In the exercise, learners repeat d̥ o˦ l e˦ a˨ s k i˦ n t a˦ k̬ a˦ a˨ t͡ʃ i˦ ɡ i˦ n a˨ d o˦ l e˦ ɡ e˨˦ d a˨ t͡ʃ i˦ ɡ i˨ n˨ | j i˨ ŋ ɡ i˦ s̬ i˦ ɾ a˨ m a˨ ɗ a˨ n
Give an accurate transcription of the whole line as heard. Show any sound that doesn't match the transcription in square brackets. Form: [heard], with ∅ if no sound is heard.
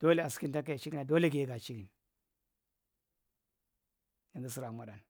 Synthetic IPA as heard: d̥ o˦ l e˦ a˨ s k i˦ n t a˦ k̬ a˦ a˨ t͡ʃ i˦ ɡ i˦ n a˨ d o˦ l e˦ ɡ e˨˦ [ɡ] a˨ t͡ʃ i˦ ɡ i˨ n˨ | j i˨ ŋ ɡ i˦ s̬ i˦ ɾ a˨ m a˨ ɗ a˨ n

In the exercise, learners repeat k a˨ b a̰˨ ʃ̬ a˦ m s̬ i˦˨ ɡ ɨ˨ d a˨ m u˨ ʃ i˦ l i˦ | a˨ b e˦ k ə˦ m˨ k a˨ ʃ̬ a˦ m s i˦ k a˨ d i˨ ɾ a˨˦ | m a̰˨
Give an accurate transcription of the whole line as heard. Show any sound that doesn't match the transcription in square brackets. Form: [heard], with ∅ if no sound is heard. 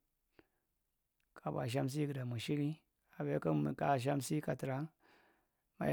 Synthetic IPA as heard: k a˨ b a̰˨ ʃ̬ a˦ m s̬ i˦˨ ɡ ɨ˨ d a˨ m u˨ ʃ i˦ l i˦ | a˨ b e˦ k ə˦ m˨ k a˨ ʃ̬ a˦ m s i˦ k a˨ [t] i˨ ɾ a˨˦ | m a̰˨

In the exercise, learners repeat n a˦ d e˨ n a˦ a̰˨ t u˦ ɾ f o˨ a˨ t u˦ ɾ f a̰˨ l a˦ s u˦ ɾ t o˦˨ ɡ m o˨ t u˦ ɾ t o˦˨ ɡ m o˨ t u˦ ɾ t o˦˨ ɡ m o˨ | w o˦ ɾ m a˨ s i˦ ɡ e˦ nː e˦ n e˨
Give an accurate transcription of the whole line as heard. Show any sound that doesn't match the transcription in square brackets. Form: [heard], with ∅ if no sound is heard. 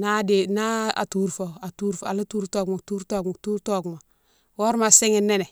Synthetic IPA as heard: n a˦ d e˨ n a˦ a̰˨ t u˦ ɾ f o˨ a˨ t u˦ ɾ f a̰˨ l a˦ [t] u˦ ɾ t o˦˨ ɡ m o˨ t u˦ ɾ t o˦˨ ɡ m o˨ t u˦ ɾ t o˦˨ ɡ m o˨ | w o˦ ɾ m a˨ s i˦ [ŋ] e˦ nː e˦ n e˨

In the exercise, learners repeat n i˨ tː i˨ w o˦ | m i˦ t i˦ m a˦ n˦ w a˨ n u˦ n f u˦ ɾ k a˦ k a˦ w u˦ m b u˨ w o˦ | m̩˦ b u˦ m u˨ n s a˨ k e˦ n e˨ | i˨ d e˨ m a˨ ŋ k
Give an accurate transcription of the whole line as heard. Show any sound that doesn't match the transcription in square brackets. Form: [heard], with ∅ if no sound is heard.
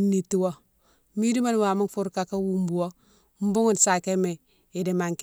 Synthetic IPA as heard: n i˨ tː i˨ w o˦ | m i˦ [d] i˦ m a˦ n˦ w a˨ [m] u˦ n f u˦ ɾ k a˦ k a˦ w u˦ m b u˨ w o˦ | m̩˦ b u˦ [ŋ] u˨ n s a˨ k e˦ [m] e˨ | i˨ d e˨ m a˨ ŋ k

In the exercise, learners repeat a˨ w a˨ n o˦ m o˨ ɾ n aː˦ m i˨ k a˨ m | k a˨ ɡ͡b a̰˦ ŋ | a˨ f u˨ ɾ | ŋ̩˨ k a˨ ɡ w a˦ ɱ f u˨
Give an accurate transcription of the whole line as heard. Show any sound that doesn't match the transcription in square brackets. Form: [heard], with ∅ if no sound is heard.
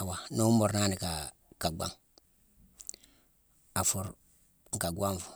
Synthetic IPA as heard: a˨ w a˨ n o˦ m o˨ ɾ n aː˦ [n] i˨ k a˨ [∅] | k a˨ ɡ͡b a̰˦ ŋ | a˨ f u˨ ɾ | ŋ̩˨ k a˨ ɡ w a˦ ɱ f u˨

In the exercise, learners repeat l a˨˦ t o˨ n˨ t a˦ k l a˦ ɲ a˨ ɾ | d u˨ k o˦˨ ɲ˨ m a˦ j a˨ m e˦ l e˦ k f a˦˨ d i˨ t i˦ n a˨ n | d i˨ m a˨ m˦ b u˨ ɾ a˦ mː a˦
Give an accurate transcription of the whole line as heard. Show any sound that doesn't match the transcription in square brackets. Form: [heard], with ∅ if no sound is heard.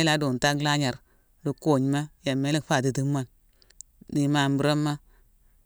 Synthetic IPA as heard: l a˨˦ [d] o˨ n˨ t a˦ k l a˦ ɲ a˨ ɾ | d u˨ k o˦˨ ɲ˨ m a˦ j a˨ m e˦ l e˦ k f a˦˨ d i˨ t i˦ [m] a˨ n | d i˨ m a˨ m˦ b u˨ ɾ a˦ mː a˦

